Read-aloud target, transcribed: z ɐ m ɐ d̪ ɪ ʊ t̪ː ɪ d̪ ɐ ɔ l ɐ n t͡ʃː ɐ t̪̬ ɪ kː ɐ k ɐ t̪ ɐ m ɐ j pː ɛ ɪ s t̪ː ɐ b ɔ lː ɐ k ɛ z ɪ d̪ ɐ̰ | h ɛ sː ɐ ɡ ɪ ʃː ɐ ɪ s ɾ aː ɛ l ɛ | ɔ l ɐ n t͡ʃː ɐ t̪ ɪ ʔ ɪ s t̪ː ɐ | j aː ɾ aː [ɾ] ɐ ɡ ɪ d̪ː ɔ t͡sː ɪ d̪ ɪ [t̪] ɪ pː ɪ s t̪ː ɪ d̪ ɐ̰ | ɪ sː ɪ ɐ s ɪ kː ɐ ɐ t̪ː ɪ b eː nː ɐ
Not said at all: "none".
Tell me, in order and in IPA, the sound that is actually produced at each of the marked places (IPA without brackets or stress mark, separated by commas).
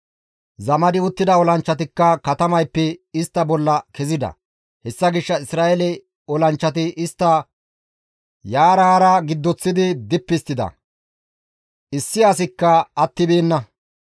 ɾ, d̪